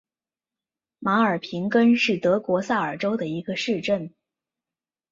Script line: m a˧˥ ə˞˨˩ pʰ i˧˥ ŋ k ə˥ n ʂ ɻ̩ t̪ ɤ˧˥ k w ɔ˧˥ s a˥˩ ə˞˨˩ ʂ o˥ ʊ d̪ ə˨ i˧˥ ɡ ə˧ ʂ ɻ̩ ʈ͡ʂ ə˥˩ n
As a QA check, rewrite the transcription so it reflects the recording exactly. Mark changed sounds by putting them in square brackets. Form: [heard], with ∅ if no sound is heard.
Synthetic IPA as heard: m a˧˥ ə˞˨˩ pʰ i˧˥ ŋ k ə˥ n ʂ ɻ̩ t̪ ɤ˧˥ k w ɔ˧˥ s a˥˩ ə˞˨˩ [ʈ͡ʂ] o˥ ʊ d̪ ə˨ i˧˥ ɡ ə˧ ʂ ɻ̩ ʈ͡ʂ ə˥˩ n